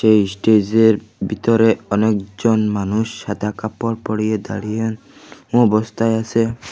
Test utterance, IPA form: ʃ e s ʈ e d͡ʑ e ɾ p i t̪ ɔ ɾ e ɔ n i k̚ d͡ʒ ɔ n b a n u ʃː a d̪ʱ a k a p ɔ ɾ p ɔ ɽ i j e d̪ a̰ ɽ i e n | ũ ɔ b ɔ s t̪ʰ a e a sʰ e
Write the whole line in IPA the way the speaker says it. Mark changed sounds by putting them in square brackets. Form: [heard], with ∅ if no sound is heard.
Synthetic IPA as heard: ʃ e s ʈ e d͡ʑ e ɾ [b] i t̪ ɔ ɾ e ɔ n [e] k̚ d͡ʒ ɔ n [m] a n u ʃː a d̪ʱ a k a p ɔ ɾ p ɔ ɽ i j e d̪ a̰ ɽ i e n | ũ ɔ b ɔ s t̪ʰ a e a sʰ e